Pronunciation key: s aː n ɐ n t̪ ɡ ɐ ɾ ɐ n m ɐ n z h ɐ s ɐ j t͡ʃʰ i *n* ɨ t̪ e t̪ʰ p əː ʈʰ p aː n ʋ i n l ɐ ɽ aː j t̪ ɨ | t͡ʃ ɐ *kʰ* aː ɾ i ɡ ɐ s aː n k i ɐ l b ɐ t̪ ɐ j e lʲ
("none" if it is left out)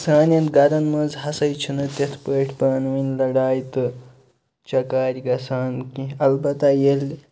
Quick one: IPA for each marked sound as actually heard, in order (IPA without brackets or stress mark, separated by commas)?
n, k